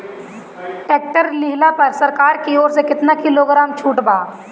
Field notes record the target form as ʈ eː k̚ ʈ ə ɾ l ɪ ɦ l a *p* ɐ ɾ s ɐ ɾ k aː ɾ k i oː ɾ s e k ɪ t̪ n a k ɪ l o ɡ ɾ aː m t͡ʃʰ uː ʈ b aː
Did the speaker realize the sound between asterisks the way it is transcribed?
yes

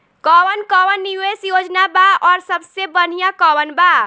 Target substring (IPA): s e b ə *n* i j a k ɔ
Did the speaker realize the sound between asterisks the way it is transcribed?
yes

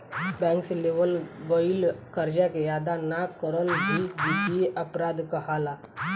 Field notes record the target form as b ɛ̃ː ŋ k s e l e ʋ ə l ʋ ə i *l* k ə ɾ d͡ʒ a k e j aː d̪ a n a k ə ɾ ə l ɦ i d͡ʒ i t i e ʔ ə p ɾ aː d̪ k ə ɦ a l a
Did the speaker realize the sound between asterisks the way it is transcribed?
yes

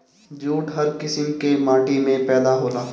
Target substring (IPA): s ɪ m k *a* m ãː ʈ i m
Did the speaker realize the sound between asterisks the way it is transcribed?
no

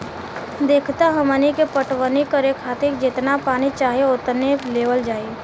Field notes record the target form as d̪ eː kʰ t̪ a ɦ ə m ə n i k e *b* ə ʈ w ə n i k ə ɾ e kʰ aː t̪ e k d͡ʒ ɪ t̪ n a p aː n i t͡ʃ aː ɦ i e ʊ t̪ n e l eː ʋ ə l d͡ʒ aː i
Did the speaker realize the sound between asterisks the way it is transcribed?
no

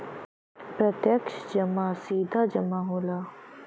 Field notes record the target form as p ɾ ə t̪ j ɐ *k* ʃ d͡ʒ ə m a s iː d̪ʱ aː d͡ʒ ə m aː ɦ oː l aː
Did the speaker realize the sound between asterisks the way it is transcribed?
yes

